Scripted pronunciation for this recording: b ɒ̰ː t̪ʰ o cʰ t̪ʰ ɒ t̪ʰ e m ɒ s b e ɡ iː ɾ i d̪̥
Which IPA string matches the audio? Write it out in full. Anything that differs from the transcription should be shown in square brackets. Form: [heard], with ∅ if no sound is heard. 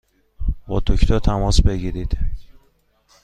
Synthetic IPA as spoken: b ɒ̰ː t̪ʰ o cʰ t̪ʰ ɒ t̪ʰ [æ] m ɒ s b e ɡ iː ɾ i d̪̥